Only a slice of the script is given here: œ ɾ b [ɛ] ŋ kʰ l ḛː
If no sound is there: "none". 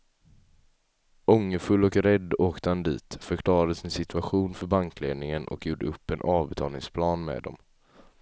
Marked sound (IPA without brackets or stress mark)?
a